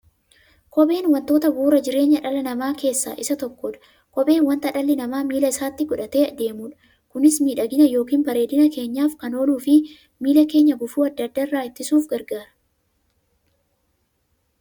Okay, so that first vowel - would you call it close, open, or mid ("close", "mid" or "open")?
mid